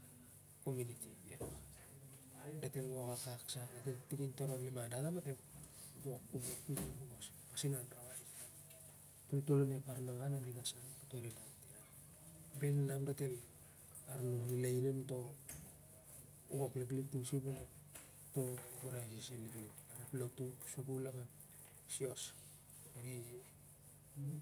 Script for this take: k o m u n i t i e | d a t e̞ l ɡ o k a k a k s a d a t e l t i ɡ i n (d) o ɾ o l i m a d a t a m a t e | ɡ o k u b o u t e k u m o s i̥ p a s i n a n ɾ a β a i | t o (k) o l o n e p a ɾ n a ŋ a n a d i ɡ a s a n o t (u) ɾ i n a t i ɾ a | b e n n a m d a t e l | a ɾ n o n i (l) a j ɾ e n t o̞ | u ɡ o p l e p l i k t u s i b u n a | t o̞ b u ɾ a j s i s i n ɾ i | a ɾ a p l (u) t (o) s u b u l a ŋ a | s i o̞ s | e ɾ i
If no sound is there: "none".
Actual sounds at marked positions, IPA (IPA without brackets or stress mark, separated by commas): t, t, o, l, o, u